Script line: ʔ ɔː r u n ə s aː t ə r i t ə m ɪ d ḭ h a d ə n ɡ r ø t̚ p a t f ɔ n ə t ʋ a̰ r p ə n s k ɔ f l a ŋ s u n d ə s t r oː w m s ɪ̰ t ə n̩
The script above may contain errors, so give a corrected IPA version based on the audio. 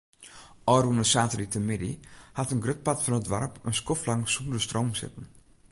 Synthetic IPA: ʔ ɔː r u n ə s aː t ə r i t ə m ɪ d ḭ h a t ə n ɡ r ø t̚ p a t f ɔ n ə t ʋ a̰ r p ə n s k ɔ f l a ŋ s u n d ə s t r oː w m s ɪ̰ t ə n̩